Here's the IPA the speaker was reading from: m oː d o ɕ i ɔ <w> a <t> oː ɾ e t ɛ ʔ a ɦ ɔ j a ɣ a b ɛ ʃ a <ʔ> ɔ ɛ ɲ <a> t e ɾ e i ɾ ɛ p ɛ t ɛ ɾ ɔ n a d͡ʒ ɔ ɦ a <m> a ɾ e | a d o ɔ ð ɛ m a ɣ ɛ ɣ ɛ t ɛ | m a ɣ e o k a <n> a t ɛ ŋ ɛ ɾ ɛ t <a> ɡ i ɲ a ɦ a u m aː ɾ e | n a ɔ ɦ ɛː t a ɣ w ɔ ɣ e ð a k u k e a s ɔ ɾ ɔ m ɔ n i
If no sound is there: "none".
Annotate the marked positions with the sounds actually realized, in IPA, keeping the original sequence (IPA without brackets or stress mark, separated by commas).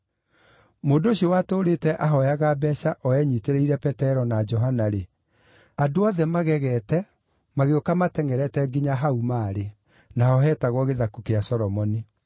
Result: w, t, ʔ, i, n, m, ɛ